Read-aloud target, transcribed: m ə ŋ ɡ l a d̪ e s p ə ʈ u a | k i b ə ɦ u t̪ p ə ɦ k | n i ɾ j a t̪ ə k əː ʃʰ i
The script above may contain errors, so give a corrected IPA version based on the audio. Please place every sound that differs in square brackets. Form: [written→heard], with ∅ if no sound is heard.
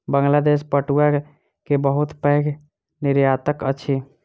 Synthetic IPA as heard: [m→b] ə ŋ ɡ l a d̪ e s p ə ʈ u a | k [i→e] b ə ɦ u t̪ p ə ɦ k | n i ɾ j a t̪ ə k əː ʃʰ i